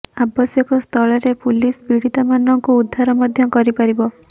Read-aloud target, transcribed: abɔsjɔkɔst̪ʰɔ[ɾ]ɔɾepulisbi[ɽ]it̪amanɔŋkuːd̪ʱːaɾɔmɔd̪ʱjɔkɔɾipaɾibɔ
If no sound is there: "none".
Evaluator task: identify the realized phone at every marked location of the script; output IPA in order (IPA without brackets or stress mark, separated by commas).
ɭ, ɽ